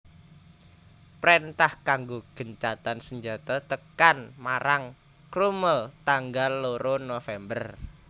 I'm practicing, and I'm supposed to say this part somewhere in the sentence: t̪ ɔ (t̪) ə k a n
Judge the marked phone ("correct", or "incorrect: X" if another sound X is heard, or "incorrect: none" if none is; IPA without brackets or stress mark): correct